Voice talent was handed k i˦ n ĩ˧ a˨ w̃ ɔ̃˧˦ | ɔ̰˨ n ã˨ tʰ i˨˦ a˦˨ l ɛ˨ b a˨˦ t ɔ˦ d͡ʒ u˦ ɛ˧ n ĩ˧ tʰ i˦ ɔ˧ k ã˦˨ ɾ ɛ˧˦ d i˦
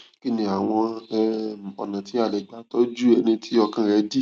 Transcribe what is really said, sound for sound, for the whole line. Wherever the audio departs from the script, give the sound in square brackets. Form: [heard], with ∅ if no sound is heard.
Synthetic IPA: k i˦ n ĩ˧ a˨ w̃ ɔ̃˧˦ | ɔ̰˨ n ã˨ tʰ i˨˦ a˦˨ l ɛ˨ [ɡ͡b] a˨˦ t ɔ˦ d͡ʒ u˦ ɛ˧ n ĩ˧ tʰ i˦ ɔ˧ k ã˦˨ ɾ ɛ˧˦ d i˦